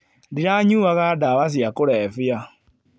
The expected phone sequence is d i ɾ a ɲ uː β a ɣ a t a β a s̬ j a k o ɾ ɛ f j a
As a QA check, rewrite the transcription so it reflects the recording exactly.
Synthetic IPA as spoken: d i ɾ a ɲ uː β a ɣ a d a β a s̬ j a k o ɾ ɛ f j a